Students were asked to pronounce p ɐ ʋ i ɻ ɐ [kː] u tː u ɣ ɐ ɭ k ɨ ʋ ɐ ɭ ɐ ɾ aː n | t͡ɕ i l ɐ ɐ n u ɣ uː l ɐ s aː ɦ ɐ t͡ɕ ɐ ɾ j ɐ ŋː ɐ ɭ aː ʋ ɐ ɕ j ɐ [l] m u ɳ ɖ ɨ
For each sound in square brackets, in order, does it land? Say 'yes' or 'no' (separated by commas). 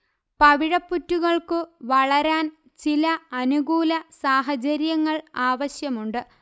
no, no